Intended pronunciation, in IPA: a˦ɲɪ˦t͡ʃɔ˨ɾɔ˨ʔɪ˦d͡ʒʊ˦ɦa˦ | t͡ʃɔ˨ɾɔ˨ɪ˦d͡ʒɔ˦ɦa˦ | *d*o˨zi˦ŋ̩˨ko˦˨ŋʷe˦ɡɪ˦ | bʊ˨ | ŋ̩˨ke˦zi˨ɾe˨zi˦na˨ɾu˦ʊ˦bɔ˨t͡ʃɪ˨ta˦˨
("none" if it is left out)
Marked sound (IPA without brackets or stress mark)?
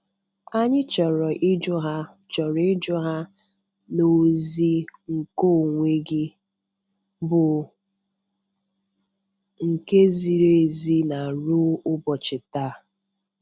n